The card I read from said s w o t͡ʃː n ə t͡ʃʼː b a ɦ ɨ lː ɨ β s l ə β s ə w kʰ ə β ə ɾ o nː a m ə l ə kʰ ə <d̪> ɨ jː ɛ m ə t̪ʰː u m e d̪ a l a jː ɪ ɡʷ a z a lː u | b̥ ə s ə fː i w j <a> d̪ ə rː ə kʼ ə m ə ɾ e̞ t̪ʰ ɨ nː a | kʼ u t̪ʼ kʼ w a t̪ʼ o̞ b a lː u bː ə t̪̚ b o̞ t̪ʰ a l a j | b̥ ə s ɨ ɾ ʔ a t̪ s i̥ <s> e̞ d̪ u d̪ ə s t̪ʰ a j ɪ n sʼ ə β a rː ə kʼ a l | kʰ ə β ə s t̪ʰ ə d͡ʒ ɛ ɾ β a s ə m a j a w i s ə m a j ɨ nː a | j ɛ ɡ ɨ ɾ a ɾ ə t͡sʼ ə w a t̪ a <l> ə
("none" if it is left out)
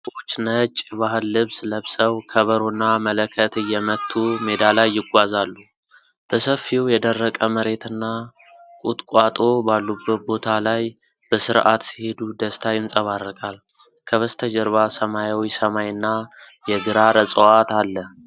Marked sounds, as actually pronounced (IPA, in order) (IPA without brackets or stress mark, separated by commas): t̪, ɛ, h, lː